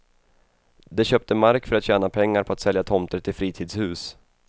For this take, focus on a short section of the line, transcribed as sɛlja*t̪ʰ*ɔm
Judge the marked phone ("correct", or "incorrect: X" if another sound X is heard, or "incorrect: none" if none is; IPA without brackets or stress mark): correct